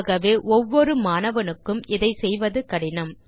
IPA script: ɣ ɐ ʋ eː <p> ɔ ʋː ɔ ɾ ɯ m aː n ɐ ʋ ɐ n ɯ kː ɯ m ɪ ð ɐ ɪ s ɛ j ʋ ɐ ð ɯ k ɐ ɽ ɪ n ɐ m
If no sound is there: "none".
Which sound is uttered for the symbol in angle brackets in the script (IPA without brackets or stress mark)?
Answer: ʔ